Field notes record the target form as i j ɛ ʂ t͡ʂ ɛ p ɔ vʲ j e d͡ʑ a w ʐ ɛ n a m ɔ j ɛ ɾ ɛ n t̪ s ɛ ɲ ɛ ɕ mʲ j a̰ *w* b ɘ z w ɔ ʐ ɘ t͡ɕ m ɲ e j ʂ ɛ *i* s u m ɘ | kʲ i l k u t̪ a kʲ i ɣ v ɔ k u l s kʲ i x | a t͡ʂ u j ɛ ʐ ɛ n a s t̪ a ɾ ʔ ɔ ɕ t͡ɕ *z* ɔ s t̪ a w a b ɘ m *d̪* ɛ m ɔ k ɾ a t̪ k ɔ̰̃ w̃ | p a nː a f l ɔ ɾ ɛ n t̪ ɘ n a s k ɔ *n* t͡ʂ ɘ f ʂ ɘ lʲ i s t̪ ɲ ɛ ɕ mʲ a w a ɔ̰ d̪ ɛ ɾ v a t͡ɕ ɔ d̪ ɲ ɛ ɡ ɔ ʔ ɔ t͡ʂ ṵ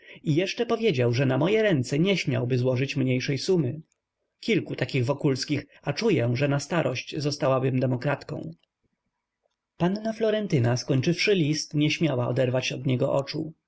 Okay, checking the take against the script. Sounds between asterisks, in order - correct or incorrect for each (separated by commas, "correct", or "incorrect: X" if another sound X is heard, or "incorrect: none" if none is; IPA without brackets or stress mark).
correct, incorrect: j, correct, correct, incorrect: ɲ